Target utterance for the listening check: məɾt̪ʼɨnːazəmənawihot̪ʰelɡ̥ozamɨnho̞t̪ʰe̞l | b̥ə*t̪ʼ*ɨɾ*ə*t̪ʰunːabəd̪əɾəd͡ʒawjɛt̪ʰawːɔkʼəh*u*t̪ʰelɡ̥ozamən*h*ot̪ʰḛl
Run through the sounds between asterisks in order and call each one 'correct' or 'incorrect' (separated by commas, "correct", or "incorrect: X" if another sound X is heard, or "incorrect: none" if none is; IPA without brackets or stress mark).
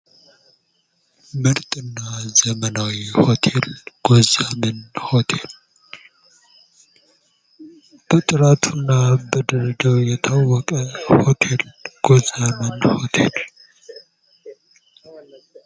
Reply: correct, incorrect: a, incorrect: o, correct